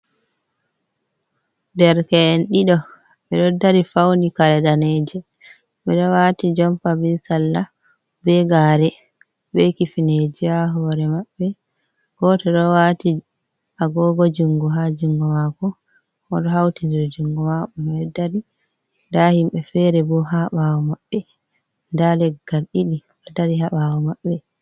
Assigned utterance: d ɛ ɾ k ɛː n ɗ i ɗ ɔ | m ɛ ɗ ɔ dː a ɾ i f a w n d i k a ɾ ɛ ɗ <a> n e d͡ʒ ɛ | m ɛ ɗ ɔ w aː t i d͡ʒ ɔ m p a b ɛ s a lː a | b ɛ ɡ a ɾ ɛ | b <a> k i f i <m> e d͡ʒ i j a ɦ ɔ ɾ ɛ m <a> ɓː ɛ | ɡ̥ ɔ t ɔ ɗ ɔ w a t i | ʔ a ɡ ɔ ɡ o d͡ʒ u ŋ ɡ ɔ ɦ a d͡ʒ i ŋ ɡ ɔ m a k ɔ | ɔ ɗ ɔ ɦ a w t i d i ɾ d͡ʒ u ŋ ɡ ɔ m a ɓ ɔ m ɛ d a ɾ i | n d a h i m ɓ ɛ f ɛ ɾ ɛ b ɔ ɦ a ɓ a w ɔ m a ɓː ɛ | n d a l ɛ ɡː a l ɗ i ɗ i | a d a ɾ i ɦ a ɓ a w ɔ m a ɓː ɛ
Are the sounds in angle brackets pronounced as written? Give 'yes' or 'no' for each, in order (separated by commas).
yes, no, no, yes